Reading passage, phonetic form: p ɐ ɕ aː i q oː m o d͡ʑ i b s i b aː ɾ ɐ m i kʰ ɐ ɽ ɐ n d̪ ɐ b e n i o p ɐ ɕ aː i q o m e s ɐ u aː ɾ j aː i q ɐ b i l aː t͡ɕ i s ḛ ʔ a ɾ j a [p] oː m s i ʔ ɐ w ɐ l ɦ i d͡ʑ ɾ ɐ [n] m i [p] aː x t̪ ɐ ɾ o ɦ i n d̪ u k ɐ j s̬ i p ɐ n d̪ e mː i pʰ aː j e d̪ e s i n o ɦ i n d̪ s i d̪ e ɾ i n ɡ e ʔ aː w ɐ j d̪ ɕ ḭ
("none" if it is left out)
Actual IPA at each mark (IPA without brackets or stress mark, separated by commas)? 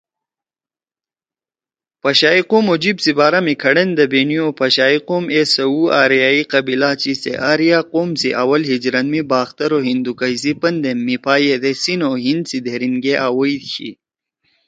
q, n, b